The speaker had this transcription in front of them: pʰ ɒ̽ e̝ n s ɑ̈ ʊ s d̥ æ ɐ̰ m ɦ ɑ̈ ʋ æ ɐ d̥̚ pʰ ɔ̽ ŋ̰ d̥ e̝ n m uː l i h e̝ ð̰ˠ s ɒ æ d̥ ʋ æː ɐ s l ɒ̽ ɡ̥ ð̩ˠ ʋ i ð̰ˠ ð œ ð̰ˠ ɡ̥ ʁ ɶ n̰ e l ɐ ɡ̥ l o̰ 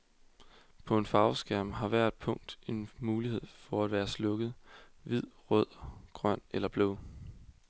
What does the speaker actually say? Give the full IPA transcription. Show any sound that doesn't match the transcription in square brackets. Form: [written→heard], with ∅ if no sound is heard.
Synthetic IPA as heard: pʰ ɒ̽ e̝ n [s→f] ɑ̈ ʊ s [d̥→ɡ̥] æ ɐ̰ m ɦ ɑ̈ ʋ æ ɐ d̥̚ pʰ ɔ̽ ŋ̰ d̥ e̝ n m uː l i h e̝ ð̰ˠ [s→f] ɒ æ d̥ ʋ æː ɐ s l [ɒ̽→ɔ̽] ɡ̥ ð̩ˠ ʋ i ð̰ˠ [ð→ʁ] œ ð̰ˠ ɡ̥ ʁ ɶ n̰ e l ɐ [ɡ̥→b̥] l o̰

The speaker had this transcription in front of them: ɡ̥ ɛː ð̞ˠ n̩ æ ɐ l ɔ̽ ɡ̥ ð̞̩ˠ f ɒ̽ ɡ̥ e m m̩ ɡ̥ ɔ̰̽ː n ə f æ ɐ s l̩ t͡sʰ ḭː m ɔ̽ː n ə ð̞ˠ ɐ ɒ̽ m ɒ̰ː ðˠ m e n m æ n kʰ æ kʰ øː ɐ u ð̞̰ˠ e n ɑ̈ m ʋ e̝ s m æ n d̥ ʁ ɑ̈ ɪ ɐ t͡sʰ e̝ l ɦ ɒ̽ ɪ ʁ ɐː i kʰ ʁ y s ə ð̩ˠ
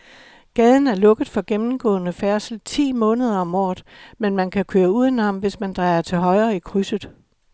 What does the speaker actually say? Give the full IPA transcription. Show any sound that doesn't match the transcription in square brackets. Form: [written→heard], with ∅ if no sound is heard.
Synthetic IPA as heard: ɡ̥ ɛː ð̞ˠ n̩ æ ɐ l ɔ̽ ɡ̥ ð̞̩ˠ f ɒ̽ ɡ̥ e m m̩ ɡ̥ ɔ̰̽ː n ə f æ ɐ s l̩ t͡sʰ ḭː m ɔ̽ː n ə ð̞ˠ ɐ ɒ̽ m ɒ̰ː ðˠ m e n m æ n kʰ æ kʰ øː ɐ u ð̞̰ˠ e n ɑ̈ m ʋ e̝ s m æ n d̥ ʁ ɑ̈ ɪ ɐ t͡sʰ e̝ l ɦ ɒ̽ ɪ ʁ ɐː i kʰ ʁ y s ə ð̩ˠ

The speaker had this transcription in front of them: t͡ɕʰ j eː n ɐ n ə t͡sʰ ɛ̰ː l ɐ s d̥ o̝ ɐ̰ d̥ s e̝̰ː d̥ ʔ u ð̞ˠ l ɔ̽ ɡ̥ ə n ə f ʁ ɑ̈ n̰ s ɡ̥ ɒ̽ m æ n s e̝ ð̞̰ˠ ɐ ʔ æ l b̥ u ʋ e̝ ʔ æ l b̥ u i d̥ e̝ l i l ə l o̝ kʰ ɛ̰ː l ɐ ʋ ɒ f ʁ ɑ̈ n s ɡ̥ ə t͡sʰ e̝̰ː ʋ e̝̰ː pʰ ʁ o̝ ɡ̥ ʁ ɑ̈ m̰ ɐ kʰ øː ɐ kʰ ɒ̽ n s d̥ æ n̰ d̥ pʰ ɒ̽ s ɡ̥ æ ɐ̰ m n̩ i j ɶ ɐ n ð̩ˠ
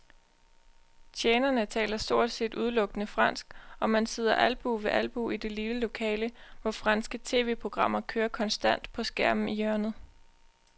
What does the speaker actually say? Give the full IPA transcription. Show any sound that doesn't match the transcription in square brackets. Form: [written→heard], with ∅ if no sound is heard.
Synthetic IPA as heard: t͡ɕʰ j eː n ɐ n ə t͡sʰ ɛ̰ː l ɐ s d̥ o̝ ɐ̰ d̥ s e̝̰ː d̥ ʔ u ð̞ˠ l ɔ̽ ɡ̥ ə n ə f ʁ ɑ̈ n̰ s ɡ̥ ɒ̽ m æ n s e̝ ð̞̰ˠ ɐ ʔ æ l b̥ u ʋ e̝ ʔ æ l b̥ u i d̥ e̝ l i l ə l o̝ kʰ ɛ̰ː l [ɐ→ə] ʋ ɒ f ʁ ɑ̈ n s ɡ̥ ə t͡sʰ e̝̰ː ʋ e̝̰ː pʰ ʁ o̝ ɡ̥ ʁ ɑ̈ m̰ ɐ kʰ øː ɐ kʰ ɒ̽ n s d̥ æ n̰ d̥ pʰ ɒ̽ s ɡ̥ æ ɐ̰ m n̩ i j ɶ ɐ n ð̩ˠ

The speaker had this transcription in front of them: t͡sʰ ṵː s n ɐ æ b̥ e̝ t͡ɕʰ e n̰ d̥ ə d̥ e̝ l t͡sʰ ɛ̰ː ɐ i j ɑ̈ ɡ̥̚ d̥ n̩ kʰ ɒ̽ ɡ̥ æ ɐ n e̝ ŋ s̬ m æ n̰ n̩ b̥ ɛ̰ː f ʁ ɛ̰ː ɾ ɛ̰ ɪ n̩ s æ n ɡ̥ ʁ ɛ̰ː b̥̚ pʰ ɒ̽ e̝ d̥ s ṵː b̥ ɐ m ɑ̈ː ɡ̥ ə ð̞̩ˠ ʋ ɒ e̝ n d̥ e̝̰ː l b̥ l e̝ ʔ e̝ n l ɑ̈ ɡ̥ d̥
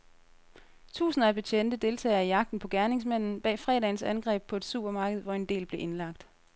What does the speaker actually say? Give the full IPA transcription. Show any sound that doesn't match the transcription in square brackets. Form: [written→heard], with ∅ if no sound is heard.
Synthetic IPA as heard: t͡sʰ ṵː s n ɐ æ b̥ e̝ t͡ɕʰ e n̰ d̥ ə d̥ e̝ l t͡sʰ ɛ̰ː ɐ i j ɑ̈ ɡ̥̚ d̥ n̩ [kʰ→pʰ] ɒ̽ ɡ̥ æ ɐ n e̝ ŋ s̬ m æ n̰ n̩ b̥ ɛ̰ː f ʁ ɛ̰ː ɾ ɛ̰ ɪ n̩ s æ n ɡ̥ ʁ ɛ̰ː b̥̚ pʰ ɒ̽ e̝ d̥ s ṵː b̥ ɐ m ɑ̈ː ɡ̥ ə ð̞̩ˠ ʋ ɒ e̝ n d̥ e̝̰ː l b̥ l e̝ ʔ e̝ n l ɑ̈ ɡ̥ d̥

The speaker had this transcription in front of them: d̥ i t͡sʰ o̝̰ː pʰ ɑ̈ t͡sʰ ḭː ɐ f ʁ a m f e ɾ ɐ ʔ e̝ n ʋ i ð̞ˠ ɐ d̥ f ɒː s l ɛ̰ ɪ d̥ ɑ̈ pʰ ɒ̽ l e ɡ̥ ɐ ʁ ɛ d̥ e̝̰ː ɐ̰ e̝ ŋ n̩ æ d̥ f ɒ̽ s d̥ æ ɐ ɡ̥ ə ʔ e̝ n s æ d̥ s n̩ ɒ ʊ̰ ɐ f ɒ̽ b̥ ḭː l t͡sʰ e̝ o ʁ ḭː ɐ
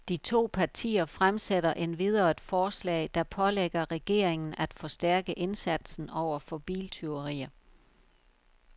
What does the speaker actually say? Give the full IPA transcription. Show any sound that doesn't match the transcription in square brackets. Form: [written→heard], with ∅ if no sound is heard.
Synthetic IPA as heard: d̥ i t͡sʰ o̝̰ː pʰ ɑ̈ t͡sʰ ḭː ɐ f ʁ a m [f→s] e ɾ ɐ ʔ e̝ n ʋ i ð̞ˠ ɐ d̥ f ɒː s l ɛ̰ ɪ d̥ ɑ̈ pʰ ɒ̽ l e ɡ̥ ɐ ʁ ɛ [d̥→ɡ̥] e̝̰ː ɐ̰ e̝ ŋ n̩ æ d̥ f ɒ̽ s d̥ æ ɐ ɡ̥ ə ʔ e̝ n s æ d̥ s n̩ ɒ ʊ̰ ɐ f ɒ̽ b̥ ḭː l t͡sʰ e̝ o ʁ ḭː ɐ

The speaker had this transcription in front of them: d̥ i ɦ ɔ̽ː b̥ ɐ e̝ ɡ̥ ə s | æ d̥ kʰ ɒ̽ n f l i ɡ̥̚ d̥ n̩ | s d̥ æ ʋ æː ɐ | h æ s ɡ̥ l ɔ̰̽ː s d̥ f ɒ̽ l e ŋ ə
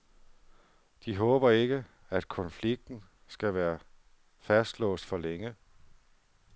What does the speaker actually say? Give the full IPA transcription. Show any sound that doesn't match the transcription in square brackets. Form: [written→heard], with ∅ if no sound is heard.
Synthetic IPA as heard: d̥ i ɦ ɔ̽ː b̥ ɐ e̝ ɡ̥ ə [s→∅] | æ d̥ kʰ ɒ̽ n f l i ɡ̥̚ d̥ n̩ | s [d̥→ɡ̥] æ ʋ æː ɐ | [h→f] æ s [ɡ̥→d̥] l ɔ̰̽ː s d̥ f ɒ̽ l e ŋ ə

